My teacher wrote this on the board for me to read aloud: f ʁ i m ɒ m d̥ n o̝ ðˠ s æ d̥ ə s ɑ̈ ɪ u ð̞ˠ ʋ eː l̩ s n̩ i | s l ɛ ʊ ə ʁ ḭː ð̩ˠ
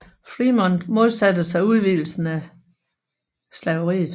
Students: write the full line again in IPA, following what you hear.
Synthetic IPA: f ʁ i m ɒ n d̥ m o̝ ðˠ s æ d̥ ə s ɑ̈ ɪ u ð̞ˠ ʋ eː l̩ s n̩ æ | s l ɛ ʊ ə ʁ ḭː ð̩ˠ